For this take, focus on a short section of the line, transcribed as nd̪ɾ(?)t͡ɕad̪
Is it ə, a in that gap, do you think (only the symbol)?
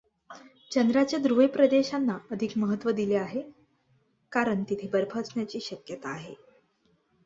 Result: a